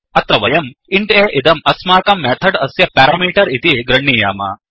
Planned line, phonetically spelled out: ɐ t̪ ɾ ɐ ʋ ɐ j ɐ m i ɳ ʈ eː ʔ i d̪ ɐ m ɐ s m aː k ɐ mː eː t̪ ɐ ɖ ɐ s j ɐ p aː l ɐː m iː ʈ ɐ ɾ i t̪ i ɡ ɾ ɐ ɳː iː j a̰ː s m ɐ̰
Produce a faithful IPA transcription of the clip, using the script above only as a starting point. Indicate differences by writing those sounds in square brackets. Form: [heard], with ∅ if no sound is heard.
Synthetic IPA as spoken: ɐ t̪ ɾ ɐ ʋ ɐ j ɐ m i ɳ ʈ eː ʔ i d̪ ɐ m ɐ s m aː k ɐ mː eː [t̪ʰ] ɐ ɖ ɐ s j ɐ p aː [ɾ] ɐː m iː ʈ ɐ ɾ i t̪ i ɡ ɾ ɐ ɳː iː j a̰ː [∅] m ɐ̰